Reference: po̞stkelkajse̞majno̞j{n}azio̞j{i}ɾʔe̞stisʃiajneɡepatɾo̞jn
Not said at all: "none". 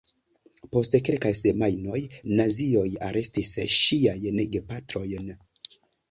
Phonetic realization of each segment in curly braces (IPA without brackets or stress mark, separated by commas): n, a